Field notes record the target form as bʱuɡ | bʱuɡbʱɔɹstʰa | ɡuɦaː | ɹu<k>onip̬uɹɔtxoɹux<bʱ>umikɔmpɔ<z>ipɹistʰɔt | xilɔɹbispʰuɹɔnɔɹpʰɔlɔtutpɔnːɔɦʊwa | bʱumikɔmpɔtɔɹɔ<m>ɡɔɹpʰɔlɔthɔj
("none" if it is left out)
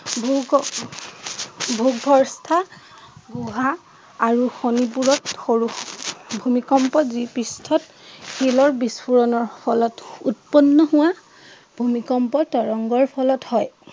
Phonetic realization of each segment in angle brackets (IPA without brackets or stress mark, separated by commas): x, bʱ, z, ŋ